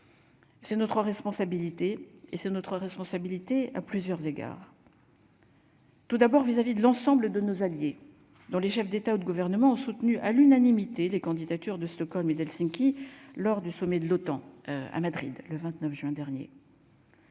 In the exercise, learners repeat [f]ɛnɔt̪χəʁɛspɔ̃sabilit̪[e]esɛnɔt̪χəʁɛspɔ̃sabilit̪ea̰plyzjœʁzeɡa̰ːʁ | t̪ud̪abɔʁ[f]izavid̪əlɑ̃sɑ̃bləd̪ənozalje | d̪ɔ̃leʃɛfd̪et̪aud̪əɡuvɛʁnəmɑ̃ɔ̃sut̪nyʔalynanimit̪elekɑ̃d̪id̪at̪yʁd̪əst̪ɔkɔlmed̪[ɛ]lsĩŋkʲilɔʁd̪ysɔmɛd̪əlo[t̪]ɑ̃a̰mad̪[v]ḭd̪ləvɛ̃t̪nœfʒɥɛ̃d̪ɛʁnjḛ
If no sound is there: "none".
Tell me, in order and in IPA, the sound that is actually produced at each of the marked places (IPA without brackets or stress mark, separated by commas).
s, e, v, ɛ, t̪, ʁ